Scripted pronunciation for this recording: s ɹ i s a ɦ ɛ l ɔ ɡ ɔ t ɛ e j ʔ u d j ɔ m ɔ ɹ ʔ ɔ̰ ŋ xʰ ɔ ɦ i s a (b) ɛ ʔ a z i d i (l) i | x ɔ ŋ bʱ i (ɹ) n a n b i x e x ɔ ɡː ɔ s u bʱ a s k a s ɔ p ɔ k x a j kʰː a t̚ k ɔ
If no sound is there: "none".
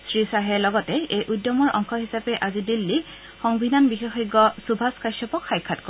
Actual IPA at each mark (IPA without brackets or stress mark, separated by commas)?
p, lː, none